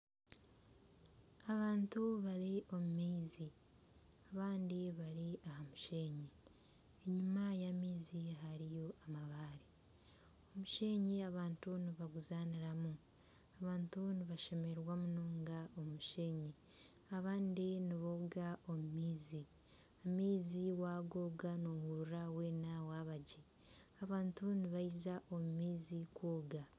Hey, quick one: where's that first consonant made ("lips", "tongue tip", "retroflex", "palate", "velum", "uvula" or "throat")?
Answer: lips